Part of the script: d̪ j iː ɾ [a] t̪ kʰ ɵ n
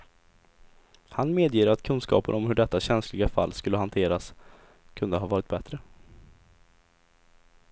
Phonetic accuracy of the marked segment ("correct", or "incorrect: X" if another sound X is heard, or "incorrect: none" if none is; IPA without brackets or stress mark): correct